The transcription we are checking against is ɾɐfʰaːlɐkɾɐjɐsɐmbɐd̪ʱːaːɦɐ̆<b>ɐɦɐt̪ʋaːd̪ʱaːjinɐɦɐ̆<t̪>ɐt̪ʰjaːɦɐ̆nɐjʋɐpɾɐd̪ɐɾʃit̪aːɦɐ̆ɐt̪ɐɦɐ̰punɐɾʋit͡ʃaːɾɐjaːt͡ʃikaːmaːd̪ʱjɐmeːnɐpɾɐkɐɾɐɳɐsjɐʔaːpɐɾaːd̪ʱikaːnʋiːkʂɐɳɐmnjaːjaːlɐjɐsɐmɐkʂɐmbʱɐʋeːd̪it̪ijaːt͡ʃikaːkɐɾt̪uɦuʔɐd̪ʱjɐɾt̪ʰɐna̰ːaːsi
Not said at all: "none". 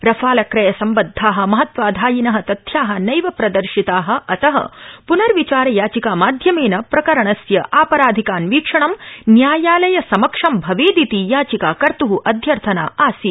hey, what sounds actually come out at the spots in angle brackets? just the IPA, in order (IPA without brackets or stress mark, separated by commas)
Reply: m, t̪